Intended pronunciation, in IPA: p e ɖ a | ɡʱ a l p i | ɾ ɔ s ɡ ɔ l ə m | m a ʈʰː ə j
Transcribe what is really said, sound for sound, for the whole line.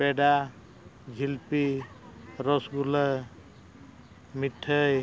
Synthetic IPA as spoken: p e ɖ a | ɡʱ i l p i | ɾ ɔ s ɡ u l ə | m i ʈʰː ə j

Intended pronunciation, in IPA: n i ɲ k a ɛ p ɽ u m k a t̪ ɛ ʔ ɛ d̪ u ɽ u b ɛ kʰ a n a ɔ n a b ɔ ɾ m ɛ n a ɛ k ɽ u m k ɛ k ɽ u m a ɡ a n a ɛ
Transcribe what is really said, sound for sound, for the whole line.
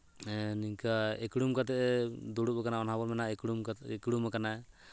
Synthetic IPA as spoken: n i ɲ k a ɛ k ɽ u m k a t̪ ɛ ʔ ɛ d̪ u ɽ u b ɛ k a n a ɔ n a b ɔ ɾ m ɛ n a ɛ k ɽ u m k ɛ k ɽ u m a k a n a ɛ

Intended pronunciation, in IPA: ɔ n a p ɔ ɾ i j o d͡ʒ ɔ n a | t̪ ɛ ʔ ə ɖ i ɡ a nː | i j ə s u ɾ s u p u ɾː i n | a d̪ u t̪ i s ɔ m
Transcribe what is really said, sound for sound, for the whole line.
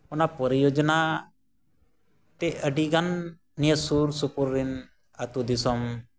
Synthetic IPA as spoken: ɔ n a p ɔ ɾ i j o d͡ʒ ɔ n a | t̪ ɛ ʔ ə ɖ i ɡ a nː | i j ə s u ɾ s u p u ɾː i n | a t̪ u d̪ i s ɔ m

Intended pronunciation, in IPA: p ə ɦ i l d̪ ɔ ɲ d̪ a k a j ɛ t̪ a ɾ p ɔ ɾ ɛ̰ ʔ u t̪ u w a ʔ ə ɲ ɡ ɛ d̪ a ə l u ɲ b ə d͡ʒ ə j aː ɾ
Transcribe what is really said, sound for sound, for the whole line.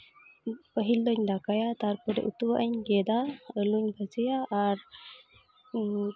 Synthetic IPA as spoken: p ə ɦ i l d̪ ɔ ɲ d̪ a k a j a t̪ a ɾ p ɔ ɾ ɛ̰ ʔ u t̪ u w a ʔ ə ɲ ɡ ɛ d̪ a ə l u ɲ b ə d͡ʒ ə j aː ɾ

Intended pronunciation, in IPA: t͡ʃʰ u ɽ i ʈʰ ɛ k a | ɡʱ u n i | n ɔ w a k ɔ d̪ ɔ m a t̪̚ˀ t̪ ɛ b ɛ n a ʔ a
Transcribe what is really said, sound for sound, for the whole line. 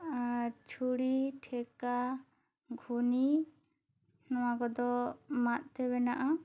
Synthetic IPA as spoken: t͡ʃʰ u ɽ i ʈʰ ɛ k a | ɡʱ u n i | n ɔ w a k ɔ d̪ ɔ m a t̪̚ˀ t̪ ɛ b ɛ n a ʔ a

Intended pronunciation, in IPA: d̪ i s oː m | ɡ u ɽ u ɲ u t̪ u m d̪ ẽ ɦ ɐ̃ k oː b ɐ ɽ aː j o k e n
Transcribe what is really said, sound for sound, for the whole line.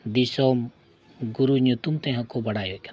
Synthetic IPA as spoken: d̪ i s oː m | ɡ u ɾ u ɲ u t̪ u m t̪ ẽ ɦ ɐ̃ k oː b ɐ ɽ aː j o k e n

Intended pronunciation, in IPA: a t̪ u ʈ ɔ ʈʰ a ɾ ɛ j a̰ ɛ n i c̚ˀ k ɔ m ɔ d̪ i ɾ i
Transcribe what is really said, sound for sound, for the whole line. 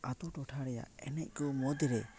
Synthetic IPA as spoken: a t̪ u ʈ ɔ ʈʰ a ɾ ɛ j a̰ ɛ n ɛ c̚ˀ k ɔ m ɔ d̪ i ɾ ɛ

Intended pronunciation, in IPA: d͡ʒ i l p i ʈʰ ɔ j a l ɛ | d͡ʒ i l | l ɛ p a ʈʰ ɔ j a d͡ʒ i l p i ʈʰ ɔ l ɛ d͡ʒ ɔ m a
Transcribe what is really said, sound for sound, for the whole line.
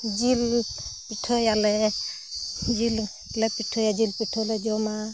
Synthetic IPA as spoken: d͡ʒ i l p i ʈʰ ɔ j a l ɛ | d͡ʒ i l | l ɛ p i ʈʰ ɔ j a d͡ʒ i l p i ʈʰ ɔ l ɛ d͡ʒ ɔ m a

